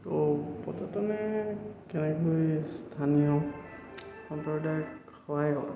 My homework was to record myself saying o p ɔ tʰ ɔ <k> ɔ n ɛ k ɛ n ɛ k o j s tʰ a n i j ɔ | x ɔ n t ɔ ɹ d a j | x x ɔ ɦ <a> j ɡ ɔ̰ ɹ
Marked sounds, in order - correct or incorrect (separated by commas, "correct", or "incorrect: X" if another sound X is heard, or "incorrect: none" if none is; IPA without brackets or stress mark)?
incorrect: t, correct